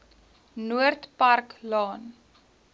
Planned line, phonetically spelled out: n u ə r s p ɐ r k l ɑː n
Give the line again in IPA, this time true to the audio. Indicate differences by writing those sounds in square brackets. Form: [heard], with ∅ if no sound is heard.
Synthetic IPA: n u ə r [t] p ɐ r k l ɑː n

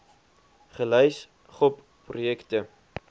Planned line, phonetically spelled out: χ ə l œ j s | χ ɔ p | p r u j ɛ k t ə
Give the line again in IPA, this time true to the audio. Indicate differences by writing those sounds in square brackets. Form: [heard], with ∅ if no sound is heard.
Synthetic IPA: χ ə l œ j s | χ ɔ p | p r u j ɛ k t ə

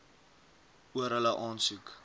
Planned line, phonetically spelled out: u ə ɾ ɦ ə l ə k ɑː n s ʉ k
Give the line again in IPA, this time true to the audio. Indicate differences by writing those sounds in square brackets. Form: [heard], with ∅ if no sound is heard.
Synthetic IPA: u ə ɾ ɦ ə l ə [ʔ] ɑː n s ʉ k

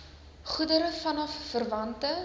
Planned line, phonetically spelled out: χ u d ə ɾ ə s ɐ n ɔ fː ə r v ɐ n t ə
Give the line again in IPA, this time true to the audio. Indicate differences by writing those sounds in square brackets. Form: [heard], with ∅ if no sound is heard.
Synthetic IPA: χ u d ə ɾ ə [f] ɐ n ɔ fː ə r v ɐ n t ə

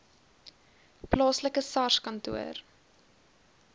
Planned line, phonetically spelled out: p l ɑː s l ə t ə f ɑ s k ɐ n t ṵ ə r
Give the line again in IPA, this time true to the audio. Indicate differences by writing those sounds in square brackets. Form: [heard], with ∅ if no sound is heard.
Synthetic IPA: p l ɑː s l ə [k] ə [s] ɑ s k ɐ n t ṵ ə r

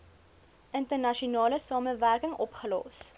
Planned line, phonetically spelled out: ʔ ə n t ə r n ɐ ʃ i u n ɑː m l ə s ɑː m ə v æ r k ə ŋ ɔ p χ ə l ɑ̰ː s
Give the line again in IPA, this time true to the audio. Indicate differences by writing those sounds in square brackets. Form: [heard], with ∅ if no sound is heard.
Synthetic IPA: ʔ ə n t ə r n ɐ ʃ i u n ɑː [∅] l ə s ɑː m ə v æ r k ə ŋ ɔ p χ ə l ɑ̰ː s

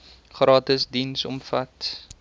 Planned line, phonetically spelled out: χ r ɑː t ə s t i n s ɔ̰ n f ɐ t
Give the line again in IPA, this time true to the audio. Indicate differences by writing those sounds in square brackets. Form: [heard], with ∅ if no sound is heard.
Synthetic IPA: χ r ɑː t ə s [d] i n s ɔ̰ [m] f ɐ t

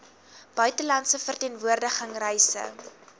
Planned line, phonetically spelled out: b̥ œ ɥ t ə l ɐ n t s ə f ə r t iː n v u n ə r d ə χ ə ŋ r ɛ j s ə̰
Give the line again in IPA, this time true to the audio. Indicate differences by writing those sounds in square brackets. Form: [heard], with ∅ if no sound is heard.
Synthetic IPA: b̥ œ ɥ t ə l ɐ n t s ə f ə r t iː n v u [∅] ə r d ə χ ə ŋ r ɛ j s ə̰

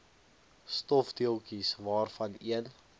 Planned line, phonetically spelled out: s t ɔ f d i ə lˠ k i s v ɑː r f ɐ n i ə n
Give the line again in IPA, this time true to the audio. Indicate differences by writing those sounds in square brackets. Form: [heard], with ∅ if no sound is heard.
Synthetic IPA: s t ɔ f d i ə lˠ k i s v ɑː r f ɐ n i ə n

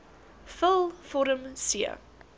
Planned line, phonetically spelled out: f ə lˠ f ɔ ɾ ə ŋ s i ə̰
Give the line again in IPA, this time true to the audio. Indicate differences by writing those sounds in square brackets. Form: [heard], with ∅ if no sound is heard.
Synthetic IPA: f ə lˠ f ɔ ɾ ə [m] s i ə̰

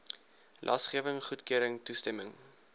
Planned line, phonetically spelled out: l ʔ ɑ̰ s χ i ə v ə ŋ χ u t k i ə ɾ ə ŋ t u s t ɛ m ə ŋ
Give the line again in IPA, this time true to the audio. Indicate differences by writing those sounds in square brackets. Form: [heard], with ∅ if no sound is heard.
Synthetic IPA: l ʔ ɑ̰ s χ i ə v ə ŋ χ u t k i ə ɾ ə ŋ t u s t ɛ m ə ŋ

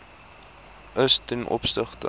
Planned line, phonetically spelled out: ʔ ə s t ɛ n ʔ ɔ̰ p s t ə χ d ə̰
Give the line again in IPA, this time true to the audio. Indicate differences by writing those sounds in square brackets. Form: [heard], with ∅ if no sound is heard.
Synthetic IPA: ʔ ə s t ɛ n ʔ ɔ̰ p s t ə χ [t] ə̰

